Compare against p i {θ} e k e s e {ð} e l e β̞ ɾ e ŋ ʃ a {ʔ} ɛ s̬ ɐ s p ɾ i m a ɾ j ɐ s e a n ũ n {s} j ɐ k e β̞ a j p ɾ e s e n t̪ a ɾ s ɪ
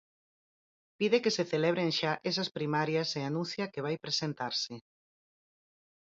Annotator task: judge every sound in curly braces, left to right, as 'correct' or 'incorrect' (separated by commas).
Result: incorrect, incorrect, correct, incorrect